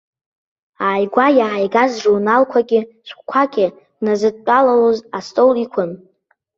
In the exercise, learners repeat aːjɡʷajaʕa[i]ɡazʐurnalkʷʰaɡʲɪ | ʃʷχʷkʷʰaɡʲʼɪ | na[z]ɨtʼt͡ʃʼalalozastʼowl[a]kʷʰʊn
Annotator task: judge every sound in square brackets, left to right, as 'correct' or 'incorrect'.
incorrect: j, correct, incorrect: i

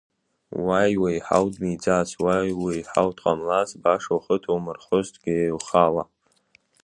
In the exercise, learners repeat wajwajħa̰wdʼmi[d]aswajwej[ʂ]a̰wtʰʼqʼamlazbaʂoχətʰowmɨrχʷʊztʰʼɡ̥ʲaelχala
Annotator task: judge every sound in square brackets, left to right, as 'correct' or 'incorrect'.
incorrect: d͡z, incorrect: ħ

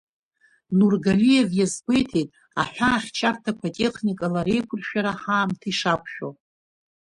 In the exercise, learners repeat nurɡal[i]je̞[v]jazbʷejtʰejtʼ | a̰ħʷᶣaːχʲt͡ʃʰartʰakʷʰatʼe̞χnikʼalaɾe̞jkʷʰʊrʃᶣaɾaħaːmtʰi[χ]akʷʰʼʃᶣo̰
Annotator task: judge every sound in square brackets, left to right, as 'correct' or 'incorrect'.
correct, correct, incorrect: ʂ

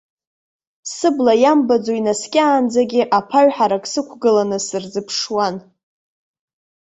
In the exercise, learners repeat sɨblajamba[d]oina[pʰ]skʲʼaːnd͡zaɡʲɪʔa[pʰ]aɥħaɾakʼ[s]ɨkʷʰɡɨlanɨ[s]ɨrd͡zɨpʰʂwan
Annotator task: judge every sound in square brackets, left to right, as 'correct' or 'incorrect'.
incorrect: d͡z, incorrect: none, correct, correct, correct

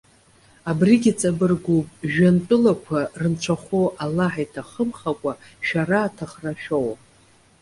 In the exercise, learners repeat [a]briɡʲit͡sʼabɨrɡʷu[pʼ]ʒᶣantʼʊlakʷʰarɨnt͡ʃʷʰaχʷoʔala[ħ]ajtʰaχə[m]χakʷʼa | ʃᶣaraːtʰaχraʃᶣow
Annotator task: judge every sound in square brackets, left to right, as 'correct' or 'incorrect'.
correct, correct, correct, correct

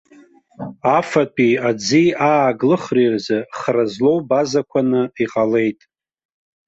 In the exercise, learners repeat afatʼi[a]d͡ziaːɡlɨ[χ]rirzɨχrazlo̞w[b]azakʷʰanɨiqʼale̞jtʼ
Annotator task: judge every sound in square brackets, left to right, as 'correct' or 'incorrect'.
correct, correct, correct

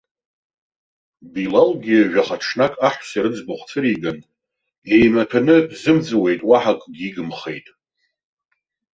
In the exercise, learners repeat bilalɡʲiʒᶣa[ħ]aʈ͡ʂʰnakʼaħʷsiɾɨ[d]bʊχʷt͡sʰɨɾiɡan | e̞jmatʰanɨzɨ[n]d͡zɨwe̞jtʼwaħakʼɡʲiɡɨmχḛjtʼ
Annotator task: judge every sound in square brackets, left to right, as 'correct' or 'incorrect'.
incorrect: χ, incorrect: d͡z, incorrect: m

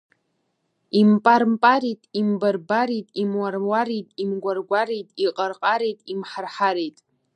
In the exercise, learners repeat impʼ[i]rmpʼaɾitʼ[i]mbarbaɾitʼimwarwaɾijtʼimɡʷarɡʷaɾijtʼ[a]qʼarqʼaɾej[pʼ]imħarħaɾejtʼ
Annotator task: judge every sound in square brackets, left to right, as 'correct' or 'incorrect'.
incorrect: a, correct, incorrect: i, incorrect: tʼ

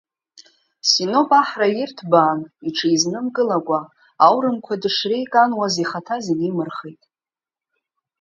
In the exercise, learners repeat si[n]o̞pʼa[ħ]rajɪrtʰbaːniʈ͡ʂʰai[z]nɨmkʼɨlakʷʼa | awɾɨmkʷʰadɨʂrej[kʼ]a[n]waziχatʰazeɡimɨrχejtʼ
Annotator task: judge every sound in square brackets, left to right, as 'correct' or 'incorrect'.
correct, correct, correct, correct, correct

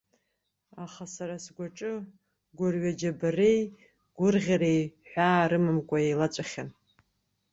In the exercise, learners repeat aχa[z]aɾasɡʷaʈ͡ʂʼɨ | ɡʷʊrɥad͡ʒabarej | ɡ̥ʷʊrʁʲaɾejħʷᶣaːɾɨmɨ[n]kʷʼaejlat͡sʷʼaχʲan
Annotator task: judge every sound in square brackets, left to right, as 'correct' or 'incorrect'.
incorrect: s, incorrect: m

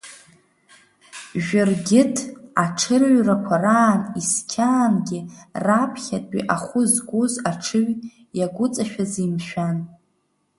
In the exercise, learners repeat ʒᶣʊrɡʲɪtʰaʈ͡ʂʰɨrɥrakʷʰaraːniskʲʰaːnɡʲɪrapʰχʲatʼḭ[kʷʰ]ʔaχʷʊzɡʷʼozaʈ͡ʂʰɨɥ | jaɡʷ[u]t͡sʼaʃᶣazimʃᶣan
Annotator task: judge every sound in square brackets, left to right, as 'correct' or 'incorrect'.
incorrect: none, incorrect: ʊ

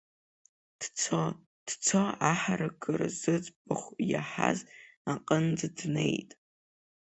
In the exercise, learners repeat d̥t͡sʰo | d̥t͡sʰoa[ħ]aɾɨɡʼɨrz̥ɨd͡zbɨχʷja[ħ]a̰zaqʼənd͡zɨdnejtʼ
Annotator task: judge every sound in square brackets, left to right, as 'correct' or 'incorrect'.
correct, correct

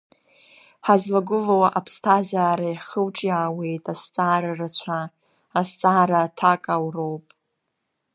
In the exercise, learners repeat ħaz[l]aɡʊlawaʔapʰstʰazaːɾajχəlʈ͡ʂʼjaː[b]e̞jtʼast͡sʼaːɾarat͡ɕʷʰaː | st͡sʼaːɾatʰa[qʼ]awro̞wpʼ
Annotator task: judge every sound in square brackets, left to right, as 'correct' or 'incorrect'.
correct, incorrect: w, incorrect: kʼ

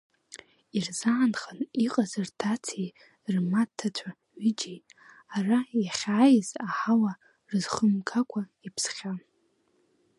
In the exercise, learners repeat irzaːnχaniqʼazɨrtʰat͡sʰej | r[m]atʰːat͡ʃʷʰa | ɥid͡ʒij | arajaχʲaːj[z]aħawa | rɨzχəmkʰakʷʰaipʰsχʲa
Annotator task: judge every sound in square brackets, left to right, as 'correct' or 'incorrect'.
correct, correct

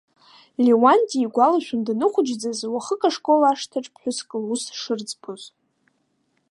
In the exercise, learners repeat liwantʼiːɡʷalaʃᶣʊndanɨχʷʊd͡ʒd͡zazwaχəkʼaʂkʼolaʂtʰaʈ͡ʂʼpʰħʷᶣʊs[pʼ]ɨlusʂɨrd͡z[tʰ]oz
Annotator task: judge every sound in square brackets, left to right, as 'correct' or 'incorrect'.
incorrect: kʼ, incorrect: pʰ

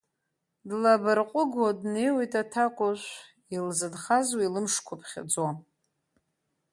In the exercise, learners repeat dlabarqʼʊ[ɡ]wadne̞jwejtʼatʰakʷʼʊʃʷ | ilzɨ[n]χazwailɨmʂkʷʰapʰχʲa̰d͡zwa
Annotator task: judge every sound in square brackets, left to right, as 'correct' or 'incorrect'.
correct, incorrect: d

